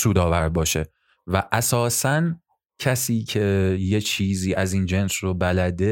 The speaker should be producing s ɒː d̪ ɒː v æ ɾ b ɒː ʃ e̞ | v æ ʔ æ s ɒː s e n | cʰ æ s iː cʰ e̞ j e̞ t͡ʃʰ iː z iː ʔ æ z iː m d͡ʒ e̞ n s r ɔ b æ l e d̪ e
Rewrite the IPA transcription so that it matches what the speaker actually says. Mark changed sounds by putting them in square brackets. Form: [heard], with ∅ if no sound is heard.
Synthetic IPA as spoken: s [uː] d̪ ɒː v æ ɾ b ɒː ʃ e̞ | v æ ʔ æ s ɒː s [æ] n | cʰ æ s iː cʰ e̞ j e̞ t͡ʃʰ iː z iː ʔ æ z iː [n] d͡ʒ e̞ n s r [o] b æ l [æ] d̪ e